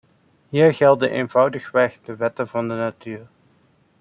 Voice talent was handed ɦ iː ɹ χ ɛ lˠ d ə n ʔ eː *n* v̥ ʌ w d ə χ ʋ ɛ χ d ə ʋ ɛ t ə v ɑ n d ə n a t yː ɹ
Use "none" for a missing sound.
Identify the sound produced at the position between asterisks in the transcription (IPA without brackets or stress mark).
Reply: n